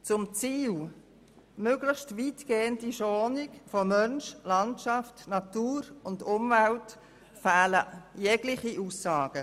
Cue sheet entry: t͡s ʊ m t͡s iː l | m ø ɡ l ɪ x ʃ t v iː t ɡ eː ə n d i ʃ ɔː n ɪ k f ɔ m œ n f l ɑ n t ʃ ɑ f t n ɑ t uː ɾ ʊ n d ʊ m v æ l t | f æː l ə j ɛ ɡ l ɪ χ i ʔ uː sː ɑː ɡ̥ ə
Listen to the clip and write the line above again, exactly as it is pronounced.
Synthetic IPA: t͡s ʊ m t͡s iː l | m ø ɡ l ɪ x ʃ t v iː t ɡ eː ə n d i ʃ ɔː n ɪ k f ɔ m œ n ʃ l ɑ n t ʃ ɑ f t n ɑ t uː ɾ ʊ n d ʊ m v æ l t | f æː l ə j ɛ ɡ l ɪ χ i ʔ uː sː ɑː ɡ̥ ə